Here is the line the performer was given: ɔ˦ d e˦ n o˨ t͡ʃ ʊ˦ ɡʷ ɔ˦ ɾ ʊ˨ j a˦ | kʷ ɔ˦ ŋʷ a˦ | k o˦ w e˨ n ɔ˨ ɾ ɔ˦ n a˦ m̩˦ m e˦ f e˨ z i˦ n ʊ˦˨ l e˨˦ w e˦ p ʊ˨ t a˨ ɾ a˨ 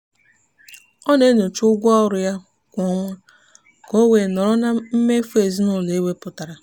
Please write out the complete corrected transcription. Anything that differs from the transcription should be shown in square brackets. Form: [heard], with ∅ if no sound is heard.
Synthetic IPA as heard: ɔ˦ [n] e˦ n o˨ t͡ʃ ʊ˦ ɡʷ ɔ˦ ɾ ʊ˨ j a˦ | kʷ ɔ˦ ŋʷ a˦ | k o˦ w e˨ n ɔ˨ ɾ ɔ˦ n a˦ m̩˦ m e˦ f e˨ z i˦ n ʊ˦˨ l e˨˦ w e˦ p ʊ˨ t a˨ ɾ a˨